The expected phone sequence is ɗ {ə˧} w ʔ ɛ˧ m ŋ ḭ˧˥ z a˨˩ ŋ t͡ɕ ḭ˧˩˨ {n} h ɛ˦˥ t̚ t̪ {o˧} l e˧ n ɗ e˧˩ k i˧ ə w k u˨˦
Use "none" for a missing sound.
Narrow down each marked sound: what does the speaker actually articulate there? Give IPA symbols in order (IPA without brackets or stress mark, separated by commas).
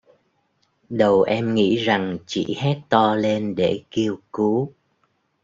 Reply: ə˨˩, none, ɔ˧